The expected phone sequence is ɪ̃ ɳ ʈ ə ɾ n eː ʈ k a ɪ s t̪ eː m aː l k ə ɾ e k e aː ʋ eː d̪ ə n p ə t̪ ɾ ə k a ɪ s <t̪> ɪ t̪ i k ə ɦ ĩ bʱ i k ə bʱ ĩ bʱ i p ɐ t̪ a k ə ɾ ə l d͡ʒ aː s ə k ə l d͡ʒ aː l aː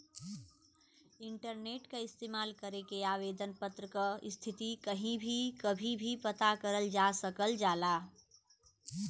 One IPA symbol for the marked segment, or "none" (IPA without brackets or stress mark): t̪ʰ